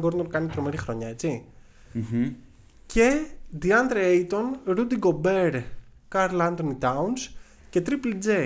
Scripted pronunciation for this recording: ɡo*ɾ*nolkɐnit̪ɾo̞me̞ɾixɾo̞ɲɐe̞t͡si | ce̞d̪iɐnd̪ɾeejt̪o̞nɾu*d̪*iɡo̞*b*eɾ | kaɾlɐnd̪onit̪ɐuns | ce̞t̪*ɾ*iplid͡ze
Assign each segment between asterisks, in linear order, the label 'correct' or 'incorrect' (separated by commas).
correct, correct, correct, correct